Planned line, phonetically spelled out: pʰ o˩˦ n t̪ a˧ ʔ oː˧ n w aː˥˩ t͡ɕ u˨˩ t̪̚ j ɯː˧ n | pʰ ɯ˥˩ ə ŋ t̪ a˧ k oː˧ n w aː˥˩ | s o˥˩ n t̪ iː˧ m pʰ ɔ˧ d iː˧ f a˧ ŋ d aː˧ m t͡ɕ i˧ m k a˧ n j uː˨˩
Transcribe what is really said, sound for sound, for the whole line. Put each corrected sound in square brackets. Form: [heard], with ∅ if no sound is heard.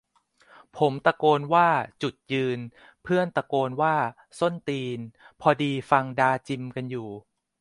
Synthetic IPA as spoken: pʰ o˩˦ [m] t̪ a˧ [k] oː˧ n w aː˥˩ t͡ɕ u˨˩ t̪̚ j ɯː˧ n | pʰ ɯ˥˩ ə [n] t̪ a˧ k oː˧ n w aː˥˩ | s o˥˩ n t̪ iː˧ [n] pʰ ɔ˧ d iː˧ f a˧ ŋ d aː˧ [∅] t͡ɕ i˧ m k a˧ n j uː˨˩